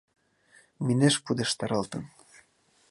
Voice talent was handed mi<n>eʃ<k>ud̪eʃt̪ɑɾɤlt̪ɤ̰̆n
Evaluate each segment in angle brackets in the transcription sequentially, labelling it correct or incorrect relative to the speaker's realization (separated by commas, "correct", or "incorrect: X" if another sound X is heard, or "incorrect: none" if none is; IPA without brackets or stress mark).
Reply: correct, incorrect: p